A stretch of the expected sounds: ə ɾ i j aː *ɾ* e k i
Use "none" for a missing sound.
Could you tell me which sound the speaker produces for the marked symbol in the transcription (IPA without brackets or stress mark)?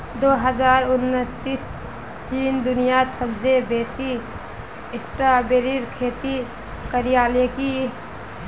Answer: l